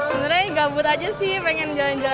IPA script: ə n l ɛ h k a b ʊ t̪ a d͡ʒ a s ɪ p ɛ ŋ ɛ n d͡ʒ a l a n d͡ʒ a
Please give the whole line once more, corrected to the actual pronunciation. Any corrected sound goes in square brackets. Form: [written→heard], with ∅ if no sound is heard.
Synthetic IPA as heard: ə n [l→ɾ] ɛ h [k→ɡ] a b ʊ t̪ a d͡ʒ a s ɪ p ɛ ŋ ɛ n d͡ʒ a l a n d͡ʒ a